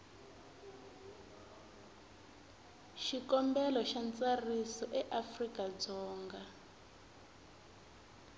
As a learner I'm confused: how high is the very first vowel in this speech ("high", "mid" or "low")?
high